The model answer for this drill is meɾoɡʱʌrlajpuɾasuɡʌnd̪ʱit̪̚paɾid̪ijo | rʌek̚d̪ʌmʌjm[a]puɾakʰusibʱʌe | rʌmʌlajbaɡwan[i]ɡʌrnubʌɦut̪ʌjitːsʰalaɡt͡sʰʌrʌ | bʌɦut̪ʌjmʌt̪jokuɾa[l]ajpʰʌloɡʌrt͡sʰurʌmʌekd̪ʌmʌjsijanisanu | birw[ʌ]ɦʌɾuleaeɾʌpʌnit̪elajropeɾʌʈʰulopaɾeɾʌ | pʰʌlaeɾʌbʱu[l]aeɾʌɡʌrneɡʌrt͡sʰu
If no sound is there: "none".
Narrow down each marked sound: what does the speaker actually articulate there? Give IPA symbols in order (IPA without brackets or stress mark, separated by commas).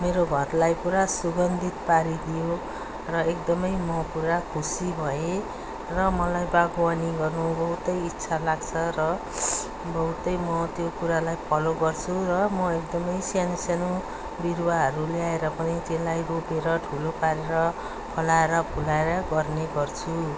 ʌ, i, l, a, l